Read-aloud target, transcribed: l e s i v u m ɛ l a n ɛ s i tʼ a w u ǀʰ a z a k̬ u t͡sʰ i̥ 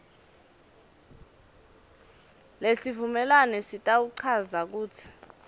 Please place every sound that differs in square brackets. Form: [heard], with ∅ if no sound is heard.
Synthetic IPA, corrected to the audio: l e s i v u m ɛ l a n ɛ s i tʼ a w u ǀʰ a z a k̬ [uː] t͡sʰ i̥

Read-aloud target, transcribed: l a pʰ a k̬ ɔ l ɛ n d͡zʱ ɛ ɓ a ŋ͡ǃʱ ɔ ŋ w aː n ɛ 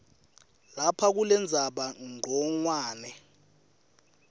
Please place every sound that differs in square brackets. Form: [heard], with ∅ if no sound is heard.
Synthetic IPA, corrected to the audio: l a pʰ a k̬ [u] l ɛ n d͡zʱ [a] ɓ a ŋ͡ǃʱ ɔ ŋ w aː n ɛ

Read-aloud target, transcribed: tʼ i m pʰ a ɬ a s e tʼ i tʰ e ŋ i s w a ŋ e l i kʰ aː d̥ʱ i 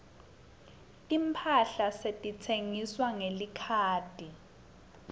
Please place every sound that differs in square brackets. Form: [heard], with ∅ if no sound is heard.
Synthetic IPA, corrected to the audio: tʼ i m pʰ a ɬ a s e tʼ i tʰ e ŋ i s w a ŋ e l i kʰ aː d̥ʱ i

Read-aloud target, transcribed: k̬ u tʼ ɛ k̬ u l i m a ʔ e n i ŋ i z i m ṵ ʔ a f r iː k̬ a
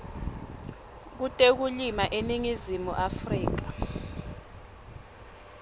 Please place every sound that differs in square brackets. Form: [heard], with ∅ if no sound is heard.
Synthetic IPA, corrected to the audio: k̬ u tʼ [e] k̬ u l i m a ʔ e n i ŋ i z i m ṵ ʔ a f r iː k̬ a

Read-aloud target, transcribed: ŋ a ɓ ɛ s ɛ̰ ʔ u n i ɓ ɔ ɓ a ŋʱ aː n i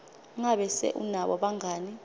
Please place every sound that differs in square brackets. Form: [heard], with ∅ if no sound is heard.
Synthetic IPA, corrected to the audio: ŋ a ɓ ɛ s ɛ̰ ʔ u n [a] ɓ ɔ ɓ a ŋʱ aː n i

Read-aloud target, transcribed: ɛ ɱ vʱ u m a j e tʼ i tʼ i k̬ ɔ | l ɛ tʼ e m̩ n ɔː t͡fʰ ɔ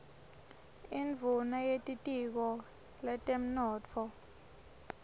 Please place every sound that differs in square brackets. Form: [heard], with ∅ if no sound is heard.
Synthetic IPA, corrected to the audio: [i] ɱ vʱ u [n] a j e tʼ i tʼ i k̬ ɔ | l ɛ tʼ e m̩ n ɔː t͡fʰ ɔ

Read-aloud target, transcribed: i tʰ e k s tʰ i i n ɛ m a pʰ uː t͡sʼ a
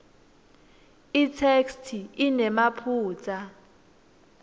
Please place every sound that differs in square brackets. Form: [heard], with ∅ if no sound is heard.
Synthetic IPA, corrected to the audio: i tʰ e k s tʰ i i n ɛ m a pʰ uː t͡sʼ a

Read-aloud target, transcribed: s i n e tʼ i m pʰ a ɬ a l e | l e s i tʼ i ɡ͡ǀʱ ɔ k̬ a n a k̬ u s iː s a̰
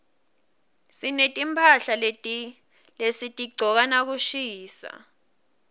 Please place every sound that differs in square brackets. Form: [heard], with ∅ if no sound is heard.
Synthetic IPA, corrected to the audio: s i n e tʼ i m pʰ a ɬ a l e | l e s i tʼ i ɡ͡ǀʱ ɔ k̬ a n a k̬ u [ʃ] iː s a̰

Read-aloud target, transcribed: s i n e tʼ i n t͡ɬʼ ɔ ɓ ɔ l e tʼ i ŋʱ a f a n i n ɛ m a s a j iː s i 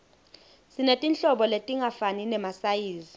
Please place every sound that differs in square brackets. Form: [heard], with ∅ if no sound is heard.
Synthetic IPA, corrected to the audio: s i n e tʼ i n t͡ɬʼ ɔ ɓ ɔ l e tʼ i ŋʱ a f a n i n ɛ m a s a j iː [z] i

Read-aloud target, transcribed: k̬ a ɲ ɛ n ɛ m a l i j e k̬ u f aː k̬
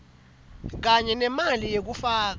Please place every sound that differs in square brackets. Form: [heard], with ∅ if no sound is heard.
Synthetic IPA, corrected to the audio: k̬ a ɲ ɛ n ɛ m a l i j e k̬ u f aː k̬

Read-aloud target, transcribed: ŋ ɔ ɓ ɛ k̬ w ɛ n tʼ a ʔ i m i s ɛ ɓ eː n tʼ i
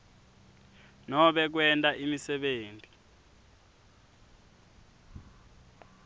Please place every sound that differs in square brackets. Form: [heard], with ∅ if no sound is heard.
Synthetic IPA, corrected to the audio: [n] ɔ ɓ ɛ k̬ w ɛ n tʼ a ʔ i m i s ɛ ɓ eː n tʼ i

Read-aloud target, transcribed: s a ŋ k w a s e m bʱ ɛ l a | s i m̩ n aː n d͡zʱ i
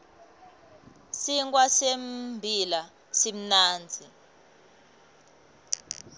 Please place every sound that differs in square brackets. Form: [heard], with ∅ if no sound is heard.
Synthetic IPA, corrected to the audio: s [i] ŋ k w a s e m bʱ [i] l a | s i m̩ n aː n d͡zʱ i

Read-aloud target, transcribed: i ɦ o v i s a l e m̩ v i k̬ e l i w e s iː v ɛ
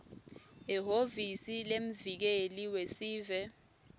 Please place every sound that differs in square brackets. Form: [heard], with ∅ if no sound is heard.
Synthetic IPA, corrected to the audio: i ɦ o v i s [i] l e m̩ v i k̬ e l i w e s iː v ɛ

